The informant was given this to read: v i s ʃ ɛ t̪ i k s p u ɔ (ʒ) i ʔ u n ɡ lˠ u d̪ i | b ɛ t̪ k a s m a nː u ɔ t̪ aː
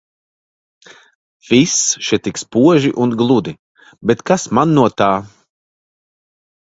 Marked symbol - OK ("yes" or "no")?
yes